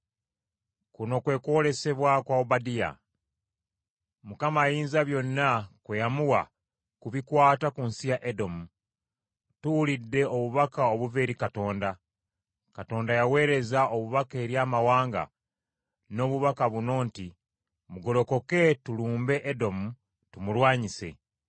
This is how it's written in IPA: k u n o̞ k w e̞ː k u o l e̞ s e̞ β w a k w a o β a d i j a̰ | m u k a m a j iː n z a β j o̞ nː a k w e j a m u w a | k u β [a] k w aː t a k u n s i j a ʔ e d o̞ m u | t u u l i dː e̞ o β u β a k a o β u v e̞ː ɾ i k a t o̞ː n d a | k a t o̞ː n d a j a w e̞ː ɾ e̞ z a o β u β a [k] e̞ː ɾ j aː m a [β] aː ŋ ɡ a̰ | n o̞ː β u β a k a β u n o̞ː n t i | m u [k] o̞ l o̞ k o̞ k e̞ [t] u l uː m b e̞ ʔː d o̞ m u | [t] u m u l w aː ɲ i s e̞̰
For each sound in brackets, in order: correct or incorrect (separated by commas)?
incorrect, correct, incorrect, incorrect, correct, correct